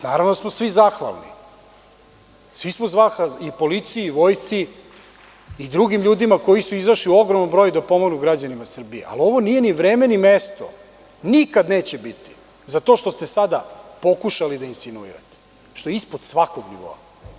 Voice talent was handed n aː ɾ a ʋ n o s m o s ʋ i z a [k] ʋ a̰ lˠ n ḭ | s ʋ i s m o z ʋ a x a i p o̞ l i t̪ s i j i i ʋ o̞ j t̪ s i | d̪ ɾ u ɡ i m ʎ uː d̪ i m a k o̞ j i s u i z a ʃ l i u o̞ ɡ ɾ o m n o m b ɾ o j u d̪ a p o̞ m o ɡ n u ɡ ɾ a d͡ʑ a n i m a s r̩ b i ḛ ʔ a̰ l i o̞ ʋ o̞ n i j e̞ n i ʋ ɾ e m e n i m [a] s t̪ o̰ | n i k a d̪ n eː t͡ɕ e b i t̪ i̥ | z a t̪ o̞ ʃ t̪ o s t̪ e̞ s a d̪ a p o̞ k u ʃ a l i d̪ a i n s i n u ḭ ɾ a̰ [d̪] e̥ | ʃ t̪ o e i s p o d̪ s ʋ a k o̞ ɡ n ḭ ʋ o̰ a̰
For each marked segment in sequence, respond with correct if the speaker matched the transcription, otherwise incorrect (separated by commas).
incorrect, incorrect, incorrect